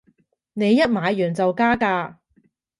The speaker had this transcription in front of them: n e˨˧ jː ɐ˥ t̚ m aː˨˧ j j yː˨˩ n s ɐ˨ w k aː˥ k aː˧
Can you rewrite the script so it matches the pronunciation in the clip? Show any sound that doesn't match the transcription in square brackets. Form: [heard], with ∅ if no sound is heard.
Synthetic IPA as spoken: n e˨˧ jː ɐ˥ t̚ m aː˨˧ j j yː˨˩ n [t͡s] ɐ˨ w k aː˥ k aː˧